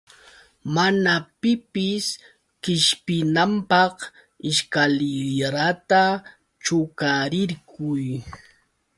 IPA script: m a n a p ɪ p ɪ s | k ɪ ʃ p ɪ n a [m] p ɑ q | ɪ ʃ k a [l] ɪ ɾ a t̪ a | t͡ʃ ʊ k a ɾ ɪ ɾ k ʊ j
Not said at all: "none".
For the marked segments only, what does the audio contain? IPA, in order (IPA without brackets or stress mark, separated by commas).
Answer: m, l